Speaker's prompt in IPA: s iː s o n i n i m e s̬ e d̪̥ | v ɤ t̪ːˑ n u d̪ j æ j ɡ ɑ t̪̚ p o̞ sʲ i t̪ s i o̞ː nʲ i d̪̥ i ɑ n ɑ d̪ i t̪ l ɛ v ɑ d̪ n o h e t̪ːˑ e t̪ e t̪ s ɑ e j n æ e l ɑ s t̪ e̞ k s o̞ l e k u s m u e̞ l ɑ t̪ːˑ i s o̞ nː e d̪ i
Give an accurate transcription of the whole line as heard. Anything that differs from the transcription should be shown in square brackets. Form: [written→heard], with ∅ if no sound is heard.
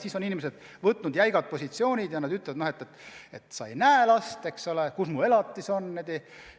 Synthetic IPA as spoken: s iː s o n i n i m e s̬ e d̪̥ | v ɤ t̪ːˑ n u d̪ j æ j ɡ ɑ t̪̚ p o̞ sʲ i t̪ s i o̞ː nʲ i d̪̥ [i→j] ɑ n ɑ d̪ [i→y] t̪ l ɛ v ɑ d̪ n o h e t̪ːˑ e t̪ e t̪ s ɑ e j n æ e l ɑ s t̪ e̞ k s o̞ l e k u s m u e̞ l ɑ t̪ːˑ i s o̞ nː e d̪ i

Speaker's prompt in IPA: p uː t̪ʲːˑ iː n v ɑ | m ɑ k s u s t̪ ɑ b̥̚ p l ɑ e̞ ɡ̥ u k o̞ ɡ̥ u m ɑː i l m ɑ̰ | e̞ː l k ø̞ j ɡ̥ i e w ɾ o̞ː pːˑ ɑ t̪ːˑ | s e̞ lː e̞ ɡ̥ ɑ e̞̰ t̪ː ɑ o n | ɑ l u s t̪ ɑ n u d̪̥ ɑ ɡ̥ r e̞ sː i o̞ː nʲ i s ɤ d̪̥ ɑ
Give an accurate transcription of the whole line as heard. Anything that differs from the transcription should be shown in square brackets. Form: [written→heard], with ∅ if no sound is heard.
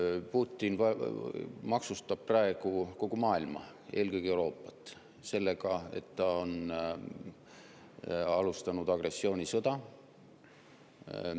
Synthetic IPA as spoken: p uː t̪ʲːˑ [iː→i] n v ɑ | m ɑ k s u s t̪ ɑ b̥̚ p [l→r] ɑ e̞ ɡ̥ u k o̞ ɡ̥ u m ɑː i l m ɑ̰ | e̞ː l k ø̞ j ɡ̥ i e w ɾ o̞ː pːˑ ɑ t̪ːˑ | s e̞ lː e̞ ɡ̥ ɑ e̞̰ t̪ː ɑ o n | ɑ l u s t̪ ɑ n u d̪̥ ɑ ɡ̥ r e̞ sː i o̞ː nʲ i s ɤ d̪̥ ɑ

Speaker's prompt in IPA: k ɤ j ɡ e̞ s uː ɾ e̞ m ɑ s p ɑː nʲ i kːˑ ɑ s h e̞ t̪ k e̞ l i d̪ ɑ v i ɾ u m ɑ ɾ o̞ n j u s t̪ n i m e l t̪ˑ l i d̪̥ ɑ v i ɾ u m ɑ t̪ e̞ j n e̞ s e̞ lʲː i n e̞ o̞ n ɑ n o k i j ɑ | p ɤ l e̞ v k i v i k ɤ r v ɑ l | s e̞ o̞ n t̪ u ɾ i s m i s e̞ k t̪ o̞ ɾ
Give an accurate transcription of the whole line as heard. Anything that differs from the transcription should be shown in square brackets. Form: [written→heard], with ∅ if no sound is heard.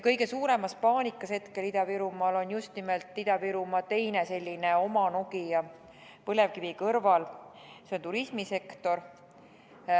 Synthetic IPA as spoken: k ɤ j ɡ e̞ s uː ɾ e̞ m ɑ s p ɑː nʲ i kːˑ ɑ s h e̞ t̪ k e̞ l i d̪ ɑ v i ɾ u m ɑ [ɾ→l] o̞ n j u s t̪ n i m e l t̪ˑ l i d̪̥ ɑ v i ɾ u m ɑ t̪ e̞ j n e̞ s e̞ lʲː i n e̞ o̞ [n→m] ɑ n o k i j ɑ | p ɤ l e̞ v k i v i k ɤ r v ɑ l | s e̞ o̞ n t̪ u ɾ i s m i s e̞ k t̪ o̞ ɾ

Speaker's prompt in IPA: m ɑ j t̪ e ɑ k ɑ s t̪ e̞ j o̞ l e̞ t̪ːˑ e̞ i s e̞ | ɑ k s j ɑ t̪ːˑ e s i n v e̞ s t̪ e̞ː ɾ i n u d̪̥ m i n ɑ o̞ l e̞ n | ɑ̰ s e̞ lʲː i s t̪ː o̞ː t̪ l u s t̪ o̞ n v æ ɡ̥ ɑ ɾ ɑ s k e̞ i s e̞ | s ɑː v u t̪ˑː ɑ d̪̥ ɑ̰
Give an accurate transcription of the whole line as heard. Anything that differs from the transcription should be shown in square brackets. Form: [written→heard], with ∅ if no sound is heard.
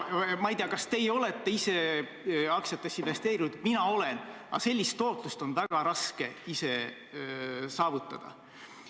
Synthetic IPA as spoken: m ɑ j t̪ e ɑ k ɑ s t̪ e̞ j o̞ l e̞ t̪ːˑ e̞ i s e̞ | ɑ k s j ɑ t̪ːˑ e s i n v e̞ s t̪ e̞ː ɾ i n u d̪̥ m i n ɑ o̞ l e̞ n | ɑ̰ s e̞ lʲː i s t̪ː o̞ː t̪ l u s t̪ o̞ n v æ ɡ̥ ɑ ɾ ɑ s k e̞ i s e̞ | s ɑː v u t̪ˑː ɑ d̪̥ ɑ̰

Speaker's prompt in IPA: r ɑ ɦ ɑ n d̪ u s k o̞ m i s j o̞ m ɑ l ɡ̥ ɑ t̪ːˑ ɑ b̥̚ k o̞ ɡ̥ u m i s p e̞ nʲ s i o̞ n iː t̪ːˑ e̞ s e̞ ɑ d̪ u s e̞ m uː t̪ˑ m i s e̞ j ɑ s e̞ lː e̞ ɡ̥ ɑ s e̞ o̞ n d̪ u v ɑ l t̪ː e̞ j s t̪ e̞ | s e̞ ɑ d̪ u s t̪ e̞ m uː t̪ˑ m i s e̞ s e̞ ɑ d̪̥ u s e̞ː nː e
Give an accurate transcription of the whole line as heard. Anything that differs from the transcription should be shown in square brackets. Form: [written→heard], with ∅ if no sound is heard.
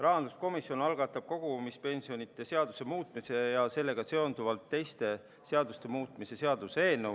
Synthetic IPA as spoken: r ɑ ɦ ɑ n d̪ u s k o̞ m i s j o̞ [m→n] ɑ l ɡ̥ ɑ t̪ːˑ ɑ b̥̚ k o̞ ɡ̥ u m i s p e̞ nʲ s i o̞ n [iː→i] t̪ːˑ e̞ s e̞ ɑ d̪ u s e̞ m uː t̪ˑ m i s e̞ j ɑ s e̞ lː e̞ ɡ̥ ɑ s e̞ o̞ n d̪ u v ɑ l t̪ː e̞ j s t̪ e̞ | s e̞ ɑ d̪ u s t̪ e̞ m uː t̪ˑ m i s e̞ s e̞ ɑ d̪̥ u s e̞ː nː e

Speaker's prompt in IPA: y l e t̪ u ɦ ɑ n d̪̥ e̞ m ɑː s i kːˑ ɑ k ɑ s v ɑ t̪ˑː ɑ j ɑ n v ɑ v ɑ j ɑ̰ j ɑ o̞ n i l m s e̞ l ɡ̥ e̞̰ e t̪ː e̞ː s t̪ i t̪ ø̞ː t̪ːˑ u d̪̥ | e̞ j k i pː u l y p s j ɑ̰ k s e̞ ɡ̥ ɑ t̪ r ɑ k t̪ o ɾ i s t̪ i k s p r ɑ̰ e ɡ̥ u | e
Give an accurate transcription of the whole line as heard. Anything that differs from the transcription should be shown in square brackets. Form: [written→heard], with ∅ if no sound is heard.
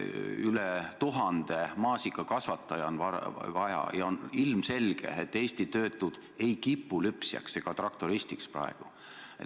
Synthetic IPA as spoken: y l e t̪ u ɦ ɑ n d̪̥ e̞ m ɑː s i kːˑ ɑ k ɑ s v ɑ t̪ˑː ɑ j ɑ n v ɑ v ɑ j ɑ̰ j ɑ o̞ n i l m s e̞ l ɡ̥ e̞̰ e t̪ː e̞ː s t̪ i t̪ ø̞ː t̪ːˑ u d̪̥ | e̞ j k i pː u l y p s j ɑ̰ k s e̞ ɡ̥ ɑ t̪ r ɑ k t̪ o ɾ i s t̪ i k s p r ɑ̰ e ɡ̥ u | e

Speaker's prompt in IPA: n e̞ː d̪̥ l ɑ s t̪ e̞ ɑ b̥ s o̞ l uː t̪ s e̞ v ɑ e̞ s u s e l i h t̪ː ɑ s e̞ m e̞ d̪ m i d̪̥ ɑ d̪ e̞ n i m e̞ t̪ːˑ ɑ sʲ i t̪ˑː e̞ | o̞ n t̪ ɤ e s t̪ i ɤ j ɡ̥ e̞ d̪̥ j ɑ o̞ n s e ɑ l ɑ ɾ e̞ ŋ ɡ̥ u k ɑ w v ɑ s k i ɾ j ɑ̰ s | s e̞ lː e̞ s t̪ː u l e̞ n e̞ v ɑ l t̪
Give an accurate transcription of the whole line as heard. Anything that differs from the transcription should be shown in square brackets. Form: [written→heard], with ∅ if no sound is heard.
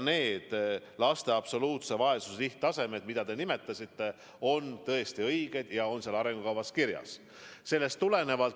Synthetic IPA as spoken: n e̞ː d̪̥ l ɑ s t̪ e̞ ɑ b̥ s o̞ l uː t̪ s e̞ v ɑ e̞ s u s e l i h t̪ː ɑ s e̞ m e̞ d̪ m i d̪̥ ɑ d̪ e̞ n i m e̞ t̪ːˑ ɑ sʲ i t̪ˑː e̞ | o̞ n t̪ ɤ e s t̪ i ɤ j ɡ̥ e̞ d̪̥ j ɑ o̞ n s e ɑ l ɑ ɾ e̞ ŋ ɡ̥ u k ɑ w v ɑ s k i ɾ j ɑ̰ s | s e̞ lː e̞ s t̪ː u l e̞ n e̞ v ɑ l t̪

